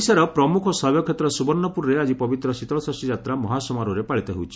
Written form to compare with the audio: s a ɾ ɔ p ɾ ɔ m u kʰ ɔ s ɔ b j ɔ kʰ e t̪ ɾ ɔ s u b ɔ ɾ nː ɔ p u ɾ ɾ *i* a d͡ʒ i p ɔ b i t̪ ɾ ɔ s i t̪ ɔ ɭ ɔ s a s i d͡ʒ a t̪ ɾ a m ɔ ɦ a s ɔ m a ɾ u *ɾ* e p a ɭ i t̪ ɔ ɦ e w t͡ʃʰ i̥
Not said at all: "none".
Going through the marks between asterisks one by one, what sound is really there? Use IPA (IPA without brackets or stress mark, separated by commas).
e, ɾ